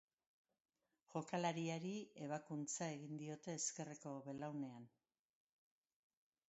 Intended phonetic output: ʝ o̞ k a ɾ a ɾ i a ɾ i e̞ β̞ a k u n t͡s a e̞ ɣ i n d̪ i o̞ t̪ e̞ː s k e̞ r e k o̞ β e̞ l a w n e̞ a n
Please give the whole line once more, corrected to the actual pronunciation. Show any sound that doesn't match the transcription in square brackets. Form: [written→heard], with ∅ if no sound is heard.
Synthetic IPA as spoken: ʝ o̞ k a [ɾ→l] a ɾ i a ɾ i e̞ β̞ a k u n t͡s a e̞ ɣ i n d̪ i o̞ t̪ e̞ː s k e̞ r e k o̞ β e̞ l a w n e̞ a n